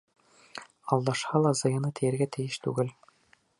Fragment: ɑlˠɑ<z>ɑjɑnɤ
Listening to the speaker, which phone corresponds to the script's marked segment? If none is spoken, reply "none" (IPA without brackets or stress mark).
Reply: z